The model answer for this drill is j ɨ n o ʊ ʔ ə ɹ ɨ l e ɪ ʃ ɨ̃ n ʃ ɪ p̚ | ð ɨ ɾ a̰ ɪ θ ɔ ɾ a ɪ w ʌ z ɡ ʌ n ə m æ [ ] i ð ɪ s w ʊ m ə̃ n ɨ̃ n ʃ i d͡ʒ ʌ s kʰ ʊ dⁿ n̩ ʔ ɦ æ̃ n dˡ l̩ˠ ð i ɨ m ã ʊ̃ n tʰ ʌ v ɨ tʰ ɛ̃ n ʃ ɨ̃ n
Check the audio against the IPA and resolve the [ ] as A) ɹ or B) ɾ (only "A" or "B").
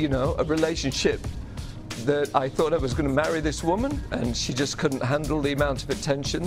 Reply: A